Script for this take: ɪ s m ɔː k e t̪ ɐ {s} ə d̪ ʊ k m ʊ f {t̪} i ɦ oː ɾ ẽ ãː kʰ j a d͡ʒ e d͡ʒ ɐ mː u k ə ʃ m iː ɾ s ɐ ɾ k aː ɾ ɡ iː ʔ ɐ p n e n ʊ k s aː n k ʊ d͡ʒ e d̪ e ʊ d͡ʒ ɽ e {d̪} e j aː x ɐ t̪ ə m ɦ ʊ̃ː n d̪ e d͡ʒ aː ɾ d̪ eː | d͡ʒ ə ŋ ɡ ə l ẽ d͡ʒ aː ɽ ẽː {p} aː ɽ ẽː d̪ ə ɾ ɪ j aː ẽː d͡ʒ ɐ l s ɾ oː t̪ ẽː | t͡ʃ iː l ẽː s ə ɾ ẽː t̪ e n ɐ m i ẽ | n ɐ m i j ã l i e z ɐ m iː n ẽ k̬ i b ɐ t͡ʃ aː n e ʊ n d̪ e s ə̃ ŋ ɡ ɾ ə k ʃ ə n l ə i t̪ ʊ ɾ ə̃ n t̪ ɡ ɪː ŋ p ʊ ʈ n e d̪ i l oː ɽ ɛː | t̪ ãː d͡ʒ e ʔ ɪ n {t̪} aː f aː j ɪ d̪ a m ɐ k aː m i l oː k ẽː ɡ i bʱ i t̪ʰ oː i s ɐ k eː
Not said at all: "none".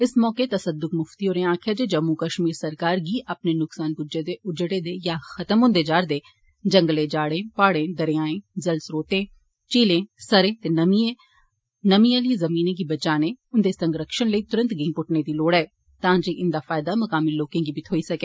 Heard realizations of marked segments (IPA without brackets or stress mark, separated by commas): s, t̪, d̪, p, d̪